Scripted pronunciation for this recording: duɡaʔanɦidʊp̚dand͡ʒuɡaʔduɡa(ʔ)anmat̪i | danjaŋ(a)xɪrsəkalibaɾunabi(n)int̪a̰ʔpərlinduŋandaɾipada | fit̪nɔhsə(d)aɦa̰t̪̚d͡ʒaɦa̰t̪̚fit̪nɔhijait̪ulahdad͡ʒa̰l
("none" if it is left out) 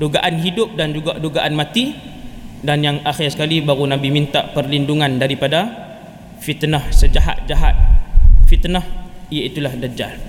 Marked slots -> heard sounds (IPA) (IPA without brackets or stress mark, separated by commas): ʔ, a, m, d͡ʒ